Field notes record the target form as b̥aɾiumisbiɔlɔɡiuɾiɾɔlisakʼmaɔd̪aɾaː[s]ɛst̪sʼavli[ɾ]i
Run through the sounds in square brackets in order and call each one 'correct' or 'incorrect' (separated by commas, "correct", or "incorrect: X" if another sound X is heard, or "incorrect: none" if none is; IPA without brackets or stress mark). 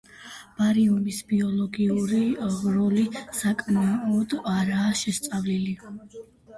incorrect: ʃ, incorrect: l